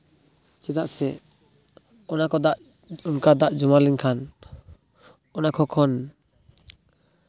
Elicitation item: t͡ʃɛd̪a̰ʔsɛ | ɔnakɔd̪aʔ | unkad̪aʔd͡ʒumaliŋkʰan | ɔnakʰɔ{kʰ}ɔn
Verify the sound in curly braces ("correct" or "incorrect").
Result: correct